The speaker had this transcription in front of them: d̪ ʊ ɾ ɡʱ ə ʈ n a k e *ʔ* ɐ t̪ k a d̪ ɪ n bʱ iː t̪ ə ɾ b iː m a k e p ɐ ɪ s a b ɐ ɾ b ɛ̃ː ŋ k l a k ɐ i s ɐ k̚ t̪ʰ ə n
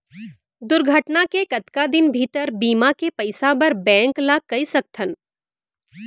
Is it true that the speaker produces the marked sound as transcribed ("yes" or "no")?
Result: no